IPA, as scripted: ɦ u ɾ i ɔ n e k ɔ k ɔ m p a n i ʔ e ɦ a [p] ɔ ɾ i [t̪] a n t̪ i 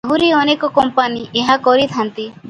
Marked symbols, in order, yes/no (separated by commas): no, no